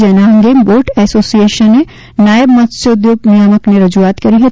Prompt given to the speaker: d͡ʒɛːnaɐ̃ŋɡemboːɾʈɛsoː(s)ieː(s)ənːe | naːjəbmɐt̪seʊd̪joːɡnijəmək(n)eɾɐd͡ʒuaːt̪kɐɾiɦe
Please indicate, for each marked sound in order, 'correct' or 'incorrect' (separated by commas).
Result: correct, incorrect, correct